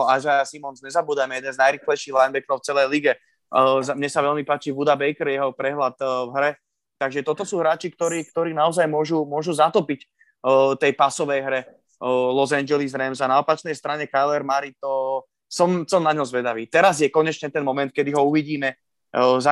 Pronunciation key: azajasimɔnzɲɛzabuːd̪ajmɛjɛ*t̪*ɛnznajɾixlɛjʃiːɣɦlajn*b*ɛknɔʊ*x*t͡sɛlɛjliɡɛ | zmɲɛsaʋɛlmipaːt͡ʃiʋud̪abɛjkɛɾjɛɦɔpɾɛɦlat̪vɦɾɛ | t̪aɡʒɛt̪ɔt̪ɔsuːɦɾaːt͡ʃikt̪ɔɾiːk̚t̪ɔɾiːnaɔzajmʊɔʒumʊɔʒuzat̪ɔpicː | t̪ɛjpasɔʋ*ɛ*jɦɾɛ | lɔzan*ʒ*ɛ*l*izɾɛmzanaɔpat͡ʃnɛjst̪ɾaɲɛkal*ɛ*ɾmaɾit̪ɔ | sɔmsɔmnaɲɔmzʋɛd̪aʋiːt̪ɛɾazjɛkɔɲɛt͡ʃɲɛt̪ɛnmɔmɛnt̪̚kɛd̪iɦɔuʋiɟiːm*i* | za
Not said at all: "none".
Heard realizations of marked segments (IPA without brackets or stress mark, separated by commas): d̪, b, f, ɛ, d͡ʒ, l, ɛ, ɛ